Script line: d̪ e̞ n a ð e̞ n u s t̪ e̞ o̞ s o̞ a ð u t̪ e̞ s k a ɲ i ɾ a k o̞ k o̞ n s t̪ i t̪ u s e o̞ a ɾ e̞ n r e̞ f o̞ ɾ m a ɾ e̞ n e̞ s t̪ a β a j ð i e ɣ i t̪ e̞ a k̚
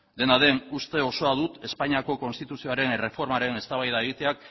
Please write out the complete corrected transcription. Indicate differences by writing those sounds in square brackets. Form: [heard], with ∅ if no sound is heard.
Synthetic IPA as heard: d̪ e̞ n a ð e̞ n u s t̪ e̞ o̞ s o̞ a ð u t̪ e̞ s [p] a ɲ i [∅] a k o̞ k o̞ n s t̪ i t̪ u s [i] o̞ a ɾ e̞ n r e̞ f o̞ ɾ m a ɾ e̞ n e̞ s t̪ a β a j ð [a] e ɣ i t̪ e̞ a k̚